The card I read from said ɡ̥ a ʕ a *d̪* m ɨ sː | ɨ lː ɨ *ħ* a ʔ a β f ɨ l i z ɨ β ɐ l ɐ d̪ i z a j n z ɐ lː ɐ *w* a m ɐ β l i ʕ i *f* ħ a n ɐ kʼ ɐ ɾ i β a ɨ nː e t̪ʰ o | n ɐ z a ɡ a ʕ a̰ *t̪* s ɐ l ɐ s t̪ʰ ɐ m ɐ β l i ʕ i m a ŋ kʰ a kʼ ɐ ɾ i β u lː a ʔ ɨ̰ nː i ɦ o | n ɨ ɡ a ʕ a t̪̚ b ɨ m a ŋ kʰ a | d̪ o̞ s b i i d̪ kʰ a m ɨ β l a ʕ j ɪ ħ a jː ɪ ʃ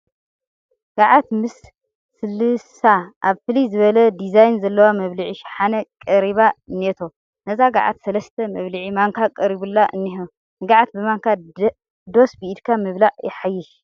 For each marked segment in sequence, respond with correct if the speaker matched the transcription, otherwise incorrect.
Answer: incorrect: t̪, incorrect: s, correct, incorrect: ʃ, correct

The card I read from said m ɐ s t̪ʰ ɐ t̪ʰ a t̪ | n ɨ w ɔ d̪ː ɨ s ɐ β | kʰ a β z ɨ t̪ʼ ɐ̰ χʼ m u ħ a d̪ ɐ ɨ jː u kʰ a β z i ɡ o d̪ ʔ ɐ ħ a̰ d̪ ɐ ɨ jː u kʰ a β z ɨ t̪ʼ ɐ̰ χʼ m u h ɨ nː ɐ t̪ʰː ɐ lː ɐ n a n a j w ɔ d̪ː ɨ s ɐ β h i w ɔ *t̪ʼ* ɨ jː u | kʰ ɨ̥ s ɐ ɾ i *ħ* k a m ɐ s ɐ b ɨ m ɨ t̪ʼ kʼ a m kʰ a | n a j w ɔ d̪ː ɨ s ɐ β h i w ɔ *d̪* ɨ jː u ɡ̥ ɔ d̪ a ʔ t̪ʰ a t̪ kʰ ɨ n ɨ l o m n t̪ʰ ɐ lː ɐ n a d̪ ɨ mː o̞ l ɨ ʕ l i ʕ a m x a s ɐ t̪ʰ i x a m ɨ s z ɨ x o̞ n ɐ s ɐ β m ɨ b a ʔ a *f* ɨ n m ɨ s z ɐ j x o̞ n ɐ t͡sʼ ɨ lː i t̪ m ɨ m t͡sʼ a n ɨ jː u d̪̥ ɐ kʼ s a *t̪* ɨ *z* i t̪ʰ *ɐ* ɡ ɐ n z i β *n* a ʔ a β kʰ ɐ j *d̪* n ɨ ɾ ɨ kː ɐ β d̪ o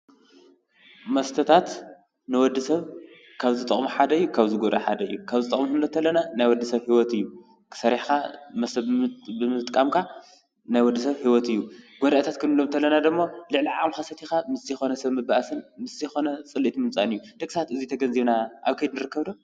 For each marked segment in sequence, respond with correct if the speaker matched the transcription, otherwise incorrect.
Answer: incorrect: t̪, correct, incorrect: t̪, incorrect: s, correct, correct, correct, correct, correct

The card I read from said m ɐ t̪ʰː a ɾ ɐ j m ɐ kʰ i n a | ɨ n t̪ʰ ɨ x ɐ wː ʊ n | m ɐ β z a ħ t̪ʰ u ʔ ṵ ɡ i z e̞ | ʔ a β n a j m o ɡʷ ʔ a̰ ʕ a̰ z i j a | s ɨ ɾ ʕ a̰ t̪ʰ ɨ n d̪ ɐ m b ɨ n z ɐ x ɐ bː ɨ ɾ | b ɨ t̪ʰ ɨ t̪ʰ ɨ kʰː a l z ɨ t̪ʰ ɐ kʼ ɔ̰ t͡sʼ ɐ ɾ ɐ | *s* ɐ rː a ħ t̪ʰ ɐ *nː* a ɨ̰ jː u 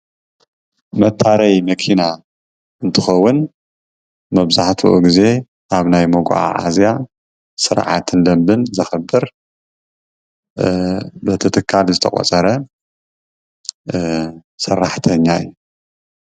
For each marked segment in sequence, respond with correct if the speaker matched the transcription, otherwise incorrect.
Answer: correct, incorrect: ɲː

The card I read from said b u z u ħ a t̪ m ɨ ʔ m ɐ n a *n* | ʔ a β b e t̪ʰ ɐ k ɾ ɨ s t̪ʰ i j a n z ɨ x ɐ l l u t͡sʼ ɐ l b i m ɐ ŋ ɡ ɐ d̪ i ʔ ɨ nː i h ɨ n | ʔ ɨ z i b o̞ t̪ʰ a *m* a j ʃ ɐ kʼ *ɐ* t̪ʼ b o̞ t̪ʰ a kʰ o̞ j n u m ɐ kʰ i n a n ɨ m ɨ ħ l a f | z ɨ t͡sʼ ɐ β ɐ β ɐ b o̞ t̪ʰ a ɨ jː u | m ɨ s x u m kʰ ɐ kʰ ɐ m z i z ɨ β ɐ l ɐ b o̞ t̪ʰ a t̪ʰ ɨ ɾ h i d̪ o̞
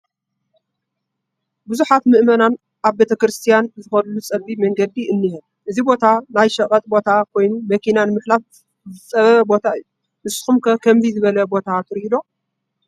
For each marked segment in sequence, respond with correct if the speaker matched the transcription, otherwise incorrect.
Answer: correct, incorrect: n, correct

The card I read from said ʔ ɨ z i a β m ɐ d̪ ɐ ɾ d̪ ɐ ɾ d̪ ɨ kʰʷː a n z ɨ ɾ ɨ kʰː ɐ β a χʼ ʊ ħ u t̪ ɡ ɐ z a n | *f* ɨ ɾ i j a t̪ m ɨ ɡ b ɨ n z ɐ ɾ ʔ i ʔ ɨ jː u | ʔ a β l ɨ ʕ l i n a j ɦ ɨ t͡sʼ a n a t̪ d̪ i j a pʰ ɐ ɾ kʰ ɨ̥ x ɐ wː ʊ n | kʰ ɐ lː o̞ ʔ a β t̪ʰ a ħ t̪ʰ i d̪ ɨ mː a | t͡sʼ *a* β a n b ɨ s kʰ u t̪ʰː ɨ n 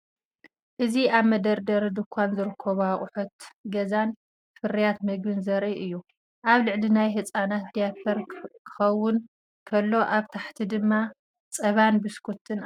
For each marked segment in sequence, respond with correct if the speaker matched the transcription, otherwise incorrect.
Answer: correct, incorrect: ɐ

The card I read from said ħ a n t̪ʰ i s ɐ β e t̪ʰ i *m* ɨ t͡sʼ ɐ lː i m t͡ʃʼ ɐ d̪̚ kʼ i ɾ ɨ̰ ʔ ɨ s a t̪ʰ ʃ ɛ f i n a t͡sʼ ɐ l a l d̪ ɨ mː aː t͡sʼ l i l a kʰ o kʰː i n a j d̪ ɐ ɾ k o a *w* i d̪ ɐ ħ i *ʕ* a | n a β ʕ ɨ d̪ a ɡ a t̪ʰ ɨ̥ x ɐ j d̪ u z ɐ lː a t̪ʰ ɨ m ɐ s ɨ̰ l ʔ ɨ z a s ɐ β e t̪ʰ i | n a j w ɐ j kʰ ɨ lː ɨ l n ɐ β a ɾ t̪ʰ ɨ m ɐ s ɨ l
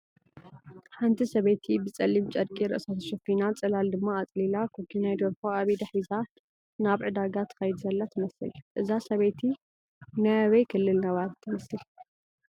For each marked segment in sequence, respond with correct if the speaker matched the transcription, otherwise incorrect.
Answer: incorrect: b, incorrect: β, incorrect: z

